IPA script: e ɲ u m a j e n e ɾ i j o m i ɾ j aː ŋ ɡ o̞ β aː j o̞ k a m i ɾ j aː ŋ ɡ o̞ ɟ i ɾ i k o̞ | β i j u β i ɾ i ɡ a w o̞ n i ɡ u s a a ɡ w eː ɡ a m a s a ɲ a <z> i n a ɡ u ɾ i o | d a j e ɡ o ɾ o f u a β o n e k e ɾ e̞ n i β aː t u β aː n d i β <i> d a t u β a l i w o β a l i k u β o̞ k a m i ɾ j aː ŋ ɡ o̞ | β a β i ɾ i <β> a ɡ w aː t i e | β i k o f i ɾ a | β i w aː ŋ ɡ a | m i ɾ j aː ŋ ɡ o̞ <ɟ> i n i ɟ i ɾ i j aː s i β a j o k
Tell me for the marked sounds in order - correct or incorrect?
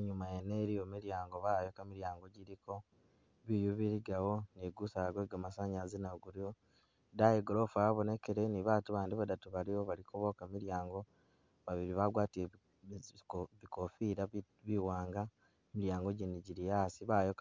correct, incorrect: a, correct, correct

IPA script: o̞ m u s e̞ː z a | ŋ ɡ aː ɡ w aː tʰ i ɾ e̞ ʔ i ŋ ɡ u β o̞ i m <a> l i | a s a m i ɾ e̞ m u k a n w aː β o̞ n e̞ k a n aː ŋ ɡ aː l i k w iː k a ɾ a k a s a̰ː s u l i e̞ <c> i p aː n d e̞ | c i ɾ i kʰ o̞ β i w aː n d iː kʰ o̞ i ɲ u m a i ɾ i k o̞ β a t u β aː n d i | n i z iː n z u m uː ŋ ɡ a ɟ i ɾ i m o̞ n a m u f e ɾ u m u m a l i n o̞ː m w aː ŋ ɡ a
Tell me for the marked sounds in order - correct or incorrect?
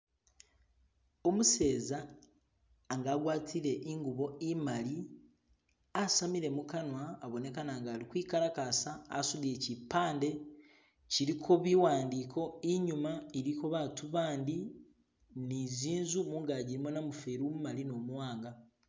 correct, correct

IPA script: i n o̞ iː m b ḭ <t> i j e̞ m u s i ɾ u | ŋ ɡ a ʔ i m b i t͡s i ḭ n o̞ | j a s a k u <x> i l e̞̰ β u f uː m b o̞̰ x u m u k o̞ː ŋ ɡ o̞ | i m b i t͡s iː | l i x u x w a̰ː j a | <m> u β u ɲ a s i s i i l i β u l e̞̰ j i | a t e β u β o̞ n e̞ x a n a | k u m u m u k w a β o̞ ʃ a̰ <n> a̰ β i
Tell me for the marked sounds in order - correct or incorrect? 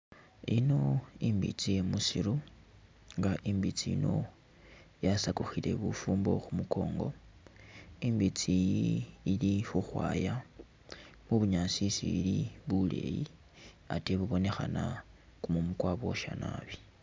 incorrect: t͡s, correct, correct, correct

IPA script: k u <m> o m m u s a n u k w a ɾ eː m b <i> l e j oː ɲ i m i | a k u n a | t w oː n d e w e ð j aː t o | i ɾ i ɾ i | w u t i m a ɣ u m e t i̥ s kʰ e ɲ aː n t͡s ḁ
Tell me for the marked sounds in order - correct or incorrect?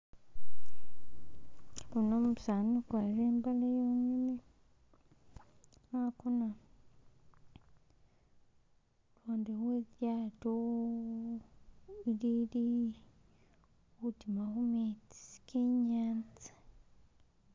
incorrect: n, incorrect: a

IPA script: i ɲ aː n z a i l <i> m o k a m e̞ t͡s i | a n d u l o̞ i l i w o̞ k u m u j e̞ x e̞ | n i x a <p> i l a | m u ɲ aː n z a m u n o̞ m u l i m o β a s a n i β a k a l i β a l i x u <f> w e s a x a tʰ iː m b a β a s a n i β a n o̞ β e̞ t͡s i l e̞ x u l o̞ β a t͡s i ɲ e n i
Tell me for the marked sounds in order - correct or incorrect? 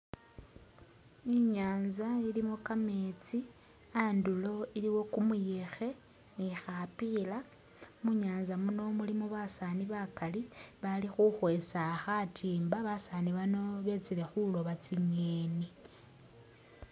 correct, correct, incorrect: x

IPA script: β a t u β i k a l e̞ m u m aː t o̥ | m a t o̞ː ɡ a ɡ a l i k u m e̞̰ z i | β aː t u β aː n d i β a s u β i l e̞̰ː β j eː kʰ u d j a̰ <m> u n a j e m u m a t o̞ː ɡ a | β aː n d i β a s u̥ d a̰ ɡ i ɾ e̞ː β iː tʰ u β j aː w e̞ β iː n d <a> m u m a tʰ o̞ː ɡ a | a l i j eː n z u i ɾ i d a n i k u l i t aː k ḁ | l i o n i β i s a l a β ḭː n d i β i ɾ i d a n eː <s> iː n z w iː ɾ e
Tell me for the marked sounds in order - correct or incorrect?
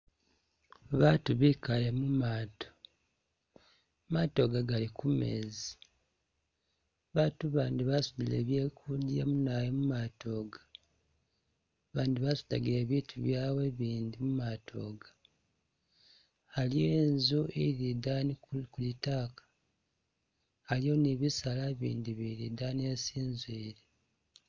correct, incorrect: i, correct

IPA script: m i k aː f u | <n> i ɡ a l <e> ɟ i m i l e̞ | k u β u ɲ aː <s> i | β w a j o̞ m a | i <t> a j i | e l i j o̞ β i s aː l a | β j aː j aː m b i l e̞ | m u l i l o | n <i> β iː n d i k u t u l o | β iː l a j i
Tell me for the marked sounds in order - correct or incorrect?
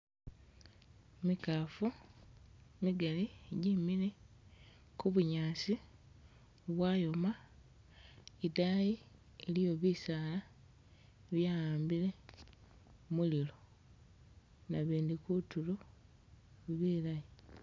incorrect: m, incorrect: i, correct, incorrect: d, incorrect: a

